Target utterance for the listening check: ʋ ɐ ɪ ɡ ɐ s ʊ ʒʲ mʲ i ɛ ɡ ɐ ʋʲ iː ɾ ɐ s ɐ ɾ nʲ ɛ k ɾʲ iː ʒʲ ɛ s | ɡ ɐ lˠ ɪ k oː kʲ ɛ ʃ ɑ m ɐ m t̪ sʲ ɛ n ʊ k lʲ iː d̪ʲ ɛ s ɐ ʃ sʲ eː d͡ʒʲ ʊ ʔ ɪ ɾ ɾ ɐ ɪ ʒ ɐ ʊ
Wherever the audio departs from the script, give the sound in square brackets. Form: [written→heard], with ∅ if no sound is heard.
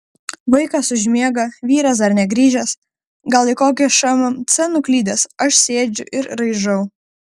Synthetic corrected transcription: ʋ ɐ ɪ [ɡ→k] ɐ s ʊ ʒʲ mʲ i ɛ ɡ ɐ ʋʲ iː ɾ ɐ s ɐ ɾ nʲ ɛ [k→ɡ] ɾʲ iː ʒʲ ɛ s | ɡ ɐ lˠ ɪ k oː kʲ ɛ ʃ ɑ m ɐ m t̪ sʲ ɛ n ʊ k lʲ iː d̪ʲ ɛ s ɐ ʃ sʲ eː d͡ʒʲ ʊ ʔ ɪ ɾ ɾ ɐ ɪ ʒ ɐ ʊ

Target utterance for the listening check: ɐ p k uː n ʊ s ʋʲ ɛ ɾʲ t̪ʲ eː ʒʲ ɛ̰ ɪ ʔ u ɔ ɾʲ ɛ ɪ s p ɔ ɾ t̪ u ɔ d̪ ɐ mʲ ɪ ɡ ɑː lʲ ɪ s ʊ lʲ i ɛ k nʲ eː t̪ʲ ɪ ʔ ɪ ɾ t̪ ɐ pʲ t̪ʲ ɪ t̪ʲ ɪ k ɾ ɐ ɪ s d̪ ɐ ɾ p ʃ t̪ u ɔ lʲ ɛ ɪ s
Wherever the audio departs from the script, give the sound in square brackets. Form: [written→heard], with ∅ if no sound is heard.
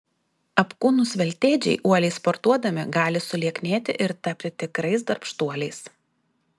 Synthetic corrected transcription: ɐ p k uː n ʊ s ʋʲ ɛ [ɾʲ→lʲ] t̪ʲ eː [ʒʲ→d͡ʒʲ] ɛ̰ ɪ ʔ u ɔ [ɾʲ→lʲ] ɛ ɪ s p ɔ ɾ t̪ u ɔ d̪ ɐ mʲ ɪ ɡ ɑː lʲ ɪ s ʊ lʲ i ɛ k nʲ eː t̪ʲ ɪ ʔ ɪ ɾ t̪ ɐ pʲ t̪ʲ ɪ t̪ʲ ɪ k ɾ ɐ ɪ s d̪ ɐ ɾ p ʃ t̪ u ɔ lʲ ɛ ɪ s

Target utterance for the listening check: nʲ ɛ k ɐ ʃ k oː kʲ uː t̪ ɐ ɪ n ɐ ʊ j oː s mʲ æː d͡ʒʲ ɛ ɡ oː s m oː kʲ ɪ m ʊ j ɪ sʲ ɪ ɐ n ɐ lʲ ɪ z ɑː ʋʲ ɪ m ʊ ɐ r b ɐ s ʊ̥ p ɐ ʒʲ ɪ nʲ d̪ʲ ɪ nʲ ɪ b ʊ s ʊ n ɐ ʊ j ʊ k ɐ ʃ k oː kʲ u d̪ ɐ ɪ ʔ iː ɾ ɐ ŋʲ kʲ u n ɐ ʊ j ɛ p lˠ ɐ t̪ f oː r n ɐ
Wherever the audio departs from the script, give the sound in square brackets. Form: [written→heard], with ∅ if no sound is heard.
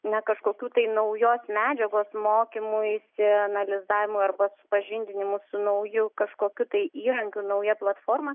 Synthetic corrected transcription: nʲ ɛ k ɐ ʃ k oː kʲ uː t̪ ɐ ɪ n ɐ ʊ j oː s mʲ æː d͡ʒʲ ɛ ɡ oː s m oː kʲ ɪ m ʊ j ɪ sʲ ɪ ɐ n ɐ lʲ ɪ z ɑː ʋʲ ɪ m ʊ ɐ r b ɐ s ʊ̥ p ɐ ʒʲ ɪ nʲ d̪ʲ ɪ nʲ ɪ [b→m] ʊ s ʊ n ɐ ʊ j ʊ k ɐ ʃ k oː kʲ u [d̪→t̪] ɐ ɪ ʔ iː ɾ ɐ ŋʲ kʲ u n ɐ ʊ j ɛ p lˠ ɐ t̪ f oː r [n→m] ɐ

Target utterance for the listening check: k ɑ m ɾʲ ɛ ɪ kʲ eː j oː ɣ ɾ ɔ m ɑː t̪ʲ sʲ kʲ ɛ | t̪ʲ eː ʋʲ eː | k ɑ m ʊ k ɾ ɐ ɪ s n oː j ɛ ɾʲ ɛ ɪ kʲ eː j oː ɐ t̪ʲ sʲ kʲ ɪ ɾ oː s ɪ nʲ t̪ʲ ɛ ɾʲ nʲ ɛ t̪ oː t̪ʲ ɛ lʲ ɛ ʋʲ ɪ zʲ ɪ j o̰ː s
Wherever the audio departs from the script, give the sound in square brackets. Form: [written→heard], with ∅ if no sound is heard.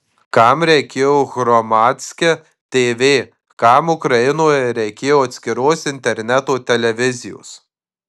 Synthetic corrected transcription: k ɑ m ɾʲ ɛ ɪ kʲ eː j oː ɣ ɾ ɔ m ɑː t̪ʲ sʲ kʲ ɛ | t̪ʲ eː ʋʲ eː | k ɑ m ʊ k ɾ ɐ ɪ [s→∅] n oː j ɛ ɾʲ ɛ ɪ kʲ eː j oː ɐ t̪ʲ sʲ kʲ ɪ ɾ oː s ɪ nʲ t̪ʲ ɛ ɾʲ nʲ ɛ t̪ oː t̪ʲ ɛ lʲ ɛ ʋʲ ɪ zʲ ɪ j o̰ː s

